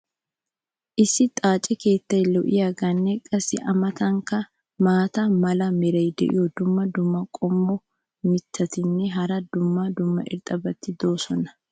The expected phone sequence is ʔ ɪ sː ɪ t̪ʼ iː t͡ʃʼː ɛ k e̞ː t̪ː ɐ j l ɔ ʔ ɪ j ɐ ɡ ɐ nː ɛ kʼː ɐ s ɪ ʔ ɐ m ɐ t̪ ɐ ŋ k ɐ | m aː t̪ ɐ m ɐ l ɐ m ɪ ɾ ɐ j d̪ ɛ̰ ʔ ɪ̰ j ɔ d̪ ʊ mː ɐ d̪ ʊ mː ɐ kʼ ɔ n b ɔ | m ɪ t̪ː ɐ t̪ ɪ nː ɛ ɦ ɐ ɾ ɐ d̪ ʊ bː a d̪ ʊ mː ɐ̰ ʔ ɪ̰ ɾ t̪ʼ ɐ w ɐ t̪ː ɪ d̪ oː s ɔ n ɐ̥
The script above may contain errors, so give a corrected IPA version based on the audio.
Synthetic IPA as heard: ʔ ɪ sː ɪ t̪ʼ aː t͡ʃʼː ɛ k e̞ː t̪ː ɐ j l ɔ ʔ ɪ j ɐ ɡ ɐ nː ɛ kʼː ɐ s ɪ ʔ ɐ m ɐ t̪ ɐ ŋ k ɐ | m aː t̪ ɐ m ɐ l ɐ m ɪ ɾ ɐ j d̪ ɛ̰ ʔ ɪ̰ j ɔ d̪ ʊ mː ɐ d̪ ʊ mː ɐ kʼ ɔ m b ɔ | m ɪ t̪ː ɐ t̪ ɪ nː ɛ ɦ ɐ ɾ ɐ d̪ ʊ mː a d̪ ʊ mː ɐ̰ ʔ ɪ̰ ɾ t̪ʼ ɐ b ɐ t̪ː ɪ d̪ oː s ɔ n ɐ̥

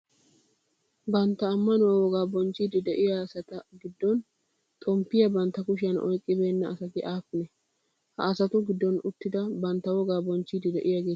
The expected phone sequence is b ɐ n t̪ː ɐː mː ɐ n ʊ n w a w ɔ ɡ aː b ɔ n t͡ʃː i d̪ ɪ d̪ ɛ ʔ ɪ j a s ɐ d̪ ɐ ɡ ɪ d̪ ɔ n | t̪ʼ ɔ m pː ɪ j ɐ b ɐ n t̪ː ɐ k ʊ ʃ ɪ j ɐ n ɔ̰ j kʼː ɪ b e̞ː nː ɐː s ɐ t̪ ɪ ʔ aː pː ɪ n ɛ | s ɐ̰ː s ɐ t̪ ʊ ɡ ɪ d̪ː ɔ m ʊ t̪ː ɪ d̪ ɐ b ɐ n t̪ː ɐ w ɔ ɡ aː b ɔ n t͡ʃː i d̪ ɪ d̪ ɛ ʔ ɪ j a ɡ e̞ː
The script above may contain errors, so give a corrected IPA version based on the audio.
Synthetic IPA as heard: b ɐ n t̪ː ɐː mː ɐ n ʊ w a w ɔ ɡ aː b ɔ n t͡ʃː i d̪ ɪ d̪ ɛ ʔ ɪ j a s ɐ t̪ ɐ ɡ ɪ d̪ː ɔ n | t̪ʼ ɔ m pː ɪ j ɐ b ɐ n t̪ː ɐ k ʊ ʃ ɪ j ɐ n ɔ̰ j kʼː ɪ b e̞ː nː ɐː s ɐ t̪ ɪ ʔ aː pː ɪ n ɛ | h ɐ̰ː s ɐ t̪ ʊ ɡ ɪ d̪ː ɔ n ʊ t̪ː ɪ d̪ ɐ b ɐ n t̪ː ɐ w ɔ ɡ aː b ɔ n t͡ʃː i d̪ ɪ d̪ ɛ ʔ ɪ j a ɡ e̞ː

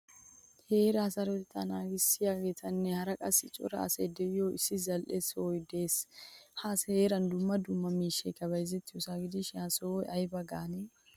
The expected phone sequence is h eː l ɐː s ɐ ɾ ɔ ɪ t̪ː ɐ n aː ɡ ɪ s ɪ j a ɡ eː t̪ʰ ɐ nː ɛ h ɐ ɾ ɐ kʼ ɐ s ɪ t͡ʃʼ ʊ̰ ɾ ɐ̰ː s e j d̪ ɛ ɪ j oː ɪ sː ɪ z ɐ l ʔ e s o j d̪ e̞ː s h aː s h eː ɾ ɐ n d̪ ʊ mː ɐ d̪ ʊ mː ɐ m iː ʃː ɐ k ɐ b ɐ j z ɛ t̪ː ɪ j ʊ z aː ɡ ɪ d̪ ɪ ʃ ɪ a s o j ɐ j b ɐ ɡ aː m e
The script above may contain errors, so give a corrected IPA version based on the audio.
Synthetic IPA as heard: h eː ɾ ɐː s ɐ ɾ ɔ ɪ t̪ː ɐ n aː ɡ ɪ s ɪ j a ɡ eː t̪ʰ ɐ nː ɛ h ɐ ɾ ɐ kʼ ɐ s ɪ t͡ʃʼ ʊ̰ ɾ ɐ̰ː s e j d̪ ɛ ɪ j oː ɪ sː ɪ z ɐ l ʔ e s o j d̪ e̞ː s h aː s h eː ɾ ɐ n d̪ ʊ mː ɐ d̪ ʊ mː ɐ m iː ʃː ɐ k ɐ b ɐ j z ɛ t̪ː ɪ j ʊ s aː ɡ ɪ d̪ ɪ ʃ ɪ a s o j ɐ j b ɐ ɡ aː n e

